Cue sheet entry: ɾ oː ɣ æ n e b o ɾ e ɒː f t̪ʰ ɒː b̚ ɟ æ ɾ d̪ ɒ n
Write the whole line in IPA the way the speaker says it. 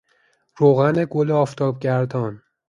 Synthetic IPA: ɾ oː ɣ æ n e ɡ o l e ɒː f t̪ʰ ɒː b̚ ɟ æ ɾ d̪ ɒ n